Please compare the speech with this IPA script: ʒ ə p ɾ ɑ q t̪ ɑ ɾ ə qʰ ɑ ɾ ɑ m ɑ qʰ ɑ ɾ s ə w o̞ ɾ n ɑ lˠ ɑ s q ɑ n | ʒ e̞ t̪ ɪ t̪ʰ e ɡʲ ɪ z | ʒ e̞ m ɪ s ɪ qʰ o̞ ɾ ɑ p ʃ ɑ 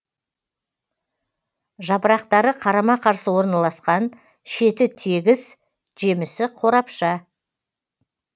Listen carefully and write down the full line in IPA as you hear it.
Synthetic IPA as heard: ʒ ɑ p ɾ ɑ q t̪ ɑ ɾ ə qʰ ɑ ɾ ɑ m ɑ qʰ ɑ ɾ s ə w o̞ ɾ n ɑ lˠ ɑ s q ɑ n | ʃ e̞ t̪ ɪ t̪ʰ e ɡʲ ɪ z | ʒ e̞ m ɪ s ɪ qʰ o̞ ɾ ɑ p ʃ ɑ